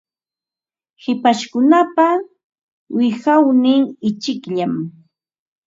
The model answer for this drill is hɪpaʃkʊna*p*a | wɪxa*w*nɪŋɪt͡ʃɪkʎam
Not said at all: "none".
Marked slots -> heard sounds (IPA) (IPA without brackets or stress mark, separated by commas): p, w